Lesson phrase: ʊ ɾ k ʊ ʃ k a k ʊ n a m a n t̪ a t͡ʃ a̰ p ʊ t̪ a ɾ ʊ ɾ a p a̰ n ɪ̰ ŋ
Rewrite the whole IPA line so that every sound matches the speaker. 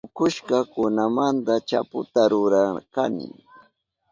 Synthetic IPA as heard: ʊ k ʊ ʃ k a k ʊ n a m a n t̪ a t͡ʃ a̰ p ʊ t̪ a ɾ ʊ ɾ a k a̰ n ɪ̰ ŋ